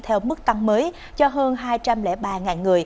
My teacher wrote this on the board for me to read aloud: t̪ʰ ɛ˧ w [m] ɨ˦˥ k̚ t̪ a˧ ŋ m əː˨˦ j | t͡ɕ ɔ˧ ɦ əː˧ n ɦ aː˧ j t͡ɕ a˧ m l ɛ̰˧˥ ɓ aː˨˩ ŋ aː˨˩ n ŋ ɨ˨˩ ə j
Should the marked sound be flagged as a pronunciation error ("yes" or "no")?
no